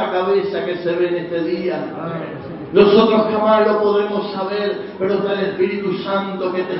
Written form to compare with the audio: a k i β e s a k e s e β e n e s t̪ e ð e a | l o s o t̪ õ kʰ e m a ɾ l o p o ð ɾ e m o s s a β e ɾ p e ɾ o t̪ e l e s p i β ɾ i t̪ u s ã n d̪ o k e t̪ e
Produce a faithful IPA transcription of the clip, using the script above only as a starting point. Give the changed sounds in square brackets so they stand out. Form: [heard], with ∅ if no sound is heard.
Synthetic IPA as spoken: a k [a] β e s a k e s e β e n e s t̪ e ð [i] a | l o s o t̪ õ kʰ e m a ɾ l o p o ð ɾ e m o s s a β e ɾ p e ɾ o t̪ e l e s p i [∅] ɾ i t̪ u s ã n [t̪] o k e t̪ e